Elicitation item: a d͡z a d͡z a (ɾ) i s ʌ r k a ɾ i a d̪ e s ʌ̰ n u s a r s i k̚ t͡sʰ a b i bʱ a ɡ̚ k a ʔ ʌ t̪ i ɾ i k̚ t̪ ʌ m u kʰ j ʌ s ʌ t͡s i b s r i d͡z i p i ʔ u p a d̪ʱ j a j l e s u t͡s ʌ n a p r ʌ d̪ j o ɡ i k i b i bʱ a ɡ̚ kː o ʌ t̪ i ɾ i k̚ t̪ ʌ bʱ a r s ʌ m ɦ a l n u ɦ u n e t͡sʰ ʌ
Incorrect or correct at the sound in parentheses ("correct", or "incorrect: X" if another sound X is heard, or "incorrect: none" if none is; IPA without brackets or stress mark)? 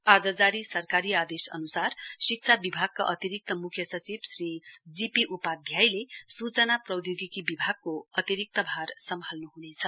correct